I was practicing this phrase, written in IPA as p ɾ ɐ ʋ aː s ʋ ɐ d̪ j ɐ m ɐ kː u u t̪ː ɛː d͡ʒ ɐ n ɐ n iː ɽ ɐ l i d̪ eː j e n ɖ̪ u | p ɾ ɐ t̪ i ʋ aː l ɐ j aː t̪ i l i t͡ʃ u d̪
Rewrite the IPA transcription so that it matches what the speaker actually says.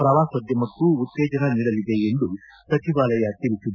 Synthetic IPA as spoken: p ɾ ɐ ʋ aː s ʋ ɐ d̪ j ɐ m ɐ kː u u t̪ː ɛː d͡ʒ ɐ n ɐ n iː ɽ ɐ l i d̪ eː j e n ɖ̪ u | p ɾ ɐ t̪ i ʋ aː l ɐ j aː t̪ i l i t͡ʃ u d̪